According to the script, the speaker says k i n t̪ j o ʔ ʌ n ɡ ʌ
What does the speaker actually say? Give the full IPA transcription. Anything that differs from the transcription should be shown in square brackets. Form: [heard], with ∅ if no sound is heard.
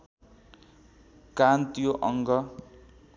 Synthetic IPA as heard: k [a] n t̪ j o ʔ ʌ [ŋ] ɡ ʌ